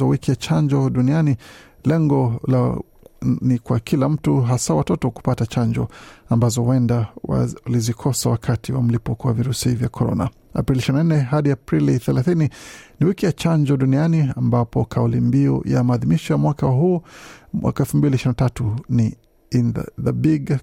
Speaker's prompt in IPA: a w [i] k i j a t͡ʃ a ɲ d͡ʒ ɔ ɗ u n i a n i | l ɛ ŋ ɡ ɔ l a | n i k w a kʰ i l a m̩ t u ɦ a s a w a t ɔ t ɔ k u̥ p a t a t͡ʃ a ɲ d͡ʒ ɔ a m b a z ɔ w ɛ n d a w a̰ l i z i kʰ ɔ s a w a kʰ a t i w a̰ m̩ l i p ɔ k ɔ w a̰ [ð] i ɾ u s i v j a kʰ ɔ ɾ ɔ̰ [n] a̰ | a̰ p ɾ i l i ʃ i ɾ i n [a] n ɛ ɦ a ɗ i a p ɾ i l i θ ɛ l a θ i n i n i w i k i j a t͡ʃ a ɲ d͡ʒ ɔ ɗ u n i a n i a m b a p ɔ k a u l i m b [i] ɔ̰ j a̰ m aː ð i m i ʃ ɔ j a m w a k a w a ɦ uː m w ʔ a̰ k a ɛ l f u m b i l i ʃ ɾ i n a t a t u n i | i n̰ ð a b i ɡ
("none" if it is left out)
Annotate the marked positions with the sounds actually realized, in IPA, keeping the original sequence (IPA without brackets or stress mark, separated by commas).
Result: i, v, n, a, i